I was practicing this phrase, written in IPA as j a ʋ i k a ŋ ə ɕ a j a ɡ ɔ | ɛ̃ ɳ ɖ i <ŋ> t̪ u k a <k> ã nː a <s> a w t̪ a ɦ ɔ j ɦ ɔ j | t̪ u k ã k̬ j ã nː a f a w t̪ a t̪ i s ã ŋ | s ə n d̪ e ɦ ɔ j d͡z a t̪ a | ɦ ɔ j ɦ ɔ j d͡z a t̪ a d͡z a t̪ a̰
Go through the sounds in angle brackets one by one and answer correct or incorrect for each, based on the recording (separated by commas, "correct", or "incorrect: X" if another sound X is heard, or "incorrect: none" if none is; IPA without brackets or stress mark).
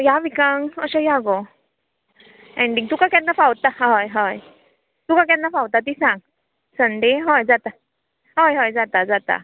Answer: correct, correct, incorrect: f